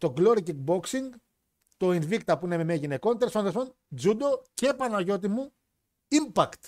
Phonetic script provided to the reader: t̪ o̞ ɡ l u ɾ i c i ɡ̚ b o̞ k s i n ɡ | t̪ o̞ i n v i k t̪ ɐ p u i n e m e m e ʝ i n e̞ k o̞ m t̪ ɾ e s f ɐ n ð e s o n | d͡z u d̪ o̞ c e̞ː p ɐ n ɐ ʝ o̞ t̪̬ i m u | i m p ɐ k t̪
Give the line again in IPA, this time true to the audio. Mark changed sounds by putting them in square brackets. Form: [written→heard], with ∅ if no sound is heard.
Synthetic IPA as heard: t̪ o̞ ɡ l [u→o] ɾ i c i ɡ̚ b o̞ k s i [n→ŋ] ɡ | t̪ o̞ i n v i k t̪ ɐ p u i n e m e m e ʝ i n e̞ k o̞ [m→n] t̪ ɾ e s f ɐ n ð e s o n | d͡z u d̪ o̞ c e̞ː p ɐ n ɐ ʝ o̞ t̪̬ i m u | i m p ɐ k t̪